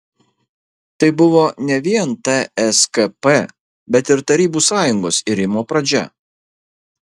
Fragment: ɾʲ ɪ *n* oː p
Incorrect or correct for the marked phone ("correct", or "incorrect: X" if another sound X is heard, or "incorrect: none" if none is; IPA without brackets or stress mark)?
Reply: incorrect: m